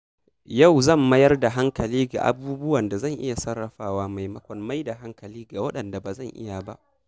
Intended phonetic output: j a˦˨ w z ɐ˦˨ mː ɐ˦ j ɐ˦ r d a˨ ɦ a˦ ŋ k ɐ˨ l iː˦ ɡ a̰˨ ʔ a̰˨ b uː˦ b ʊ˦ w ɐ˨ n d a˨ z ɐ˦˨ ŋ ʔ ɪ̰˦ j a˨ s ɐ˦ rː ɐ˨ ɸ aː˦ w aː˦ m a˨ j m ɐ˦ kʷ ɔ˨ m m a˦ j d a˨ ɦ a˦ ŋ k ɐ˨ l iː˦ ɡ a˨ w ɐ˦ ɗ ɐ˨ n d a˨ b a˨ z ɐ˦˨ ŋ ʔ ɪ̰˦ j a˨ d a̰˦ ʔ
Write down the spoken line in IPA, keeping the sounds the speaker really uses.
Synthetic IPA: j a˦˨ w z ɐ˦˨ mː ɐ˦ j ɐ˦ r d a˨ ɦ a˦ ŋ k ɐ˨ l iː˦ ɡ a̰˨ ʔ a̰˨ b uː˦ b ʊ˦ w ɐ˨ n d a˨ z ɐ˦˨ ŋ ʔ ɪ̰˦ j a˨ s ɐ˦ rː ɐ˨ ɸ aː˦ w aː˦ m a˨ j m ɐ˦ kʷ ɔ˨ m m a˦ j d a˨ ɦ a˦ ŋ k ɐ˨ l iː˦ ɡ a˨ w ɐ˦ ɗ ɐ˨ n d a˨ b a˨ z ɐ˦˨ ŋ ʔ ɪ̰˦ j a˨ b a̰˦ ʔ